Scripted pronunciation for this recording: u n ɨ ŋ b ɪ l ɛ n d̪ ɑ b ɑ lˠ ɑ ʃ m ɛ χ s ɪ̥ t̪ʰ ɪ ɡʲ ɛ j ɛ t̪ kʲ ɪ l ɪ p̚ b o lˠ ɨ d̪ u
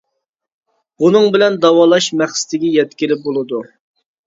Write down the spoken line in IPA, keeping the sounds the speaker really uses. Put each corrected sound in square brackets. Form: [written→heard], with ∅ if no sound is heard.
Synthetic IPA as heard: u n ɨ ŋ b ɪ l ɛ n d̪ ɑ [b→w] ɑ lˠ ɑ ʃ m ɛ χ s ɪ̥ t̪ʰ ɪ ɡʲ ɛ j ɛ t̪ kʲ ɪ l ɪ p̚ b o lˠ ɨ d̪ u